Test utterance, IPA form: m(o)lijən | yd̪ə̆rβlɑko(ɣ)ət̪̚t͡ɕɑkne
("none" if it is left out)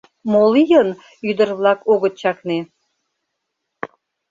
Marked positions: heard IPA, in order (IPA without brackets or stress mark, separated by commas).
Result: o, ɣ